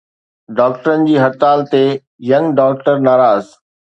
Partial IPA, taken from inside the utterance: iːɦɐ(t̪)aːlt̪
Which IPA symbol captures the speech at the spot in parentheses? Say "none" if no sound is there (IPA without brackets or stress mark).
t̪